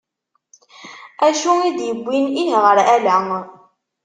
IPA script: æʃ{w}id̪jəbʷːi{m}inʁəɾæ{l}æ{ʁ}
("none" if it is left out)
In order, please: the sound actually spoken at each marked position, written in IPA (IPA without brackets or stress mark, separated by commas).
u, n, l, none